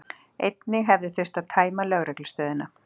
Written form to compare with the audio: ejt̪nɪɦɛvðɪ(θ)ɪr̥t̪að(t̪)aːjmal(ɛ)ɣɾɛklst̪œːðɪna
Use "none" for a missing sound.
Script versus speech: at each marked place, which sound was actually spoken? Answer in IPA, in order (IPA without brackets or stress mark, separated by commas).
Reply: θ, t̪ʰ, œ